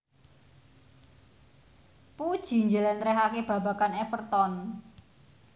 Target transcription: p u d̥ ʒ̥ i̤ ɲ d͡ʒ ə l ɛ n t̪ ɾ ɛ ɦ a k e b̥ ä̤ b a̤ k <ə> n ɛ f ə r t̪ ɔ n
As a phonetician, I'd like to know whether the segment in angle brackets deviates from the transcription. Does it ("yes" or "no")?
yes